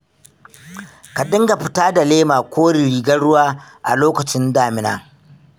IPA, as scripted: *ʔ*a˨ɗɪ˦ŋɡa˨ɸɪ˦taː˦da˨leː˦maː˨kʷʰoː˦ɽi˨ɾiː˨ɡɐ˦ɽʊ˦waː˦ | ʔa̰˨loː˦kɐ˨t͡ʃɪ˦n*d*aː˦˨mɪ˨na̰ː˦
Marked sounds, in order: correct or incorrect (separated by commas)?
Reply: incorrect, correct